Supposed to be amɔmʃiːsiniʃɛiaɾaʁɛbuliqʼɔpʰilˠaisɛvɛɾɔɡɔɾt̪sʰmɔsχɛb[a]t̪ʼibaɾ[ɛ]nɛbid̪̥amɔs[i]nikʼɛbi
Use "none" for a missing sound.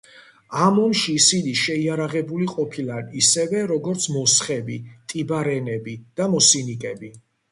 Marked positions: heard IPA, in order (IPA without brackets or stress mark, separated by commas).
i, ɛ, i